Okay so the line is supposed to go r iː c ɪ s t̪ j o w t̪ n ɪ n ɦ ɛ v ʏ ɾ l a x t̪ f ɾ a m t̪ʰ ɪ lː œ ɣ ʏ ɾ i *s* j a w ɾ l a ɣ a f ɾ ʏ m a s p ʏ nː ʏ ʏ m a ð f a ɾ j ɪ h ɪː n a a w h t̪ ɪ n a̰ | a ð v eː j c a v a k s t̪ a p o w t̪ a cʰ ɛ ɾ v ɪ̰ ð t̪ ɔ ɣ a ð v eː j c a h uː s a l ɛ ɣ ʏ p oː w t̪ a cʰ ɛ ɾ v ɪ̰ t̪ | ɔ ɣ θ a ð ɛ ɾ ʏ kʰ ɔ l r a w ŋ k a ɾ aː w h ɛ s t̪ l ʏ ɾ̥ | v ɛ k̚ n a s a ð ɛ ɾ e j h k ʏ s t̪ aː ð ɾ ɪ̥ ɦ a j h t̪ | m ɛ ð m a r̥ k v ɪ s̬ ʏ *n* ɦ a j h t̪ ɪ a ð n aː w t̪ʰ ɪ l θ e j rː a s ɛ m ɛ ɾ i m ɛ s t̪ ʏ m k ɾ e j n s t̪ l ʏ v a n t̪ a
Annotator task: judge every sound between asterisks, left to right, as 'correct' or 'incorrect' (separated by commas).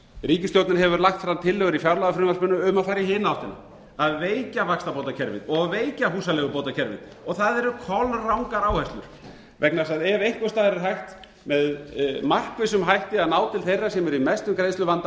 incorrect, incorrect